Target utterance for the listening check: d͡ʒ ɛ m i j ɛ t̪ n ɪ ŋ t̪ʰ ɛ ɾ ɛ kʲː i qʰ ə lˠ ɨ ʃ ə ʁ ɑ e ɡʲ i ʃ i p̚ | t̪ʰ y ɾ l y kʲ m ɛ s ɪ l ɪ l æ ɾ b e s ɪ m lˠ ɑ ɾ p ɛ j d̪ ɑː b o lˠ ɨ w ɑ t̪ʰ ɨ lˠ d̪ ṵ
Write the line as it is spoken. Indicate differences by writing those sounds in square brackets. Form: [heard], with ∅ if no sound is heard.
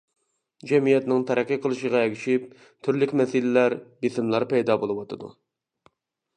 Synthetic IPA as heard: d͡ʒ ɛ m i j ɛ t̪ n ɪ ŋ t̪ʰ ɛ ɾ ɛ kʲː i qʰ ə lˠ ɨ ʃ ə ʁ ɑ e ɡʲ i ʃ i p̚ | t̪ʰ y ɾ l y kʲ m ɛ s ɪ l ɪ l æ ɾ b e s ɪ m lˠ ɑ ɾ p ɛ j d̪ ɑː b o lˠ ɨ w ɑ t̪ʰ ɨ [∅] d̪ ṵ